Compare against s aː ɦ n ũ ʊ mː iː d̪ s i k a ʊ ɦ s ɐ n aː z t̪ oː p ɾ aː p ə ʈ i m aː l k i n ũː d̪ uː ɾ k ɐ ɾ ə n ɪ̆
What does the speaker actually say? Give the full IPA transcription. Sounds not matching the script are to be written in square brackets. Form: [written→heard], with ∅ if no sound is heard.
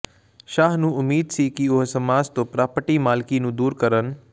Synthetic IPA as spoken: [s→ʃ] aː ɦ n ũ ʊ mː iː d̪ s i k [a→i] ʊ ɦ s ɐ [n→m] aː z t̪ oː p ɾ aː p ə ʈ i m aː l k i n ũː d̪ uː ɾ k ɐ ɾ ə n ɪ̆